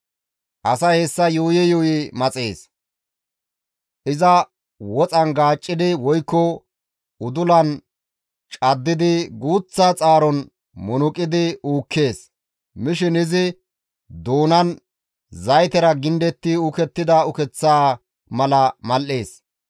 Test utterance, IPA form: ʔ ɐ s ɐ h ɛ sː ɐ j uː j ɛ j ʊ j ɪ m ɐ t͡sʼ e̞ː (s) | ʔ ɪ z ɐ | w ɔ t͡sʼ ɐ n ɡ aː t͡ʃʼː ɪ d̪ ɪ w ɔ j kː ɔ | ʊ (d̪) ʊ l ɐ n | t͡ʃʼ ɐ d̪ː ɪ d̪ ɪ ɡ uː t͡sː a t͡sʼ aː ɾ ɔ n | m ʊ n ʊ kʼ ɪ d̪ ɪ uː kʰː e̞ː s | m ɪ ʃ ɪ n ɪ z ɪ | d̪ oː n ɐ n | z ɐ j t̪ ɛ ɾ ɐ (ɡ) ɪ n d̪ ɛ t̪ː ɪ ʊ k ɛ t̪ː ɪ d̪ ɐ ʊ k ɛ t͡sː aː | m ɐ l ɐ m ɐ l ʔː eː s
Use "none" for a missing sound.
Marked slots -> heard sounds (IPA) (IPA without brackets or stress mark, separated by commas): s, d̪, ɡ